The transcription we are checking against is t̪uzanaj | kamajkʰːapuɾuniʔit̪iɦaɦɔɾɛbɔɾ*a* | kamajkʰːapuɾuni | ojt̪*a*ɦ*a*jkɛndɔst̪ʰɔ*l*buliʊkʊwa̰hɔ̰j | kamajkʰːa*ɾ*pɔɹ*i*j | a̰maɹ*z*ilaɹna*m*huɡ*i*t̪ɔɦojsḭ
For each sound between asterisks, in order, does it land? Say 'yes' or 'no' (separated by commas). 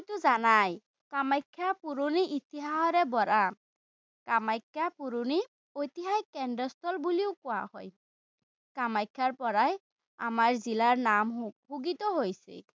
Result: yes, no, yes, yes, no, no, yes, yes, yes